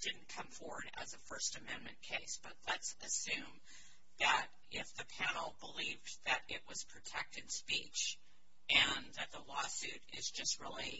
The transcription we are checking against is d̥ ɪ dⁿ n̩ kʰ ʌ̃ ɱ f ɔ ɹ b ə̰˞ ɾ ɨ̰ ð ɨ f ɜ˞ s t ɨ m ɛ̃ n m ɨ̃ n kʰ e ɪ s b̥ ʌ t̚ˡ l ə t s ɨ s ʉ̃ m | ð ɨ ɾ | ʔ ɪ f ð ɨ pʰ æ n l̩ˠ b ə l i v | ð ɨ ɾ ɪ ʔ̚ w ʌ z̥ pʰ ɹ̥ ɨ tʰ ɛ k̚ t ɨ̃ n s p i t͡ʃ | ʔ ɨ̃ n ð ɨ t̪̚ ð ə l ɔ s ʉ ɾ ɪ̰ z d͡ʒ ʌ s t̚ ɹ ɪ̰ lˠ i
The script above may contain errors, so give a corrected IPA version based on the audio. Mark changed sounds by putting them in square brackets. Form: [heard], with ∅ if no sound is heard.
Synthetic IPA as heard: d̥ ɪ dⁿ n̩ kʰ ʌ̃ ɱ f ɔ ɹ [w] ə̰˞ ɾ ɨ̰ [z] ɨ f ɜ˞ s t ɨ m ɛ̃ n m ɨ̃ n kʰ e ɪ s b̥ ʌ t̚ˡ l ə t s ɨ s ʉ̃ m | ð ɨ ɾ | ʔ ɪ f ð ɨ pʰ æ n l̩ˠ b ə l i v | ð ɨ ɾ ɪ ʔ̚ w ʌ z̥ pʰ ɹ̥ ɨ tʰ ɛ k̚ t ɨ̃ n s p i t͡ʃ | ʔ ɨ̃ n ð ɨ t̪̚ ð ə l ɔ s ʉ ɾ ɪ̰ z d͡ʒ ʌ s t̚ ɹ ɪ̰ lˠ i